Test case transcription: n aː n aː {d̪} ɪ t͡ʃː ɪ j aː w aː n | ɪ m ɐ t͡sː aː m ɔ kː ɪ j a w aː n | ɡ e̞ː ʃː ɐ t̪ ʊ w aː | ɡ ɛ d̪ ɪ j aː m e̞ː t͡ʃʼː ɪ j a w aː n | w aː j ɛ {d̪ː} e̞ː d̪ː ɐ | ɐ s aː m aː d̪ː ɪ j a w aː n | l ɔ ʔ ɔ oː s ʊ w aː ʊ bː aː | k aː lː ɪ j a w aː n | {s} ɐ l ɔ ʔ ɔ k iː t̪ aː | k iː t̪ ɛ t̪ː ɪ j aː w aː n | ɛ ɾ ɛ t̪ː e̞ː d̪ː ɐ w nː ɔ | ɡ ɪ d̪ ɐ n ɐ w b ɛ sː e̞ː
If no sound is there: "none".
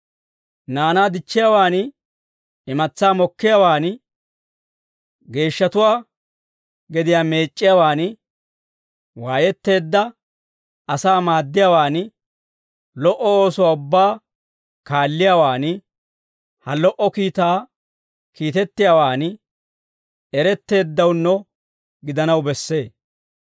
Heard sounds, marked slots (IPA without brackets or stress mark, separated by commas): d̪, t̪ː, h